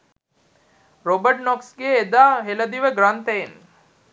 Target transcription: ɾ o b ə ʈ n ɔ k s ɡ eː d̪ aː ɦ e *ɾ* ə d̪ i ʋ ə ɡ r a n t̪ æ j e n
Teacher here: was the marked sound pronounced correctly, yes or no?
no